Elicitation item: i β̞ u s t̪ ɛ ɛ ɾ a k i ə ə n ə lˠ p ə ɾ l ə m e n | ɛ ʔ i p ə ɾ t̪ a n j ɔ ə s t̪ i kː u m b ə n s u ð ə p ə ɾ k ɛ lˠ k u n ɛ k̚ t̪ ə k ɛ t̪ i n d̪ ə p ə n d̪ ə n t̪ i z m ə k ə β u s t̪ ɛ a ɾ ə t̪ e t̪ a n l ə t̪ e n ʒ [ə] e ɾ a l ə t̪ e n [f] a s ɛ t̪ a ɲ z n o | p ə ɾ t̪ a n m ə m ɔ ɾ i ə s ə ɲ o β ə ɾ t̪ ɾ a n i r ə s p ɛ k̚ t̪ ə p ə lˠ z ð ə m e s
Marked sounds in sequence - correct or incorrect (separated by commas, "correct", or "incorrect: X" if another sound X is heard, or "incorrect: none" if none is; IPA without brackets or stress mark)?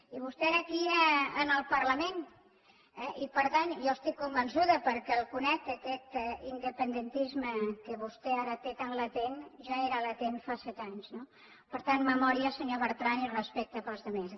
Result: incorrect: a, correct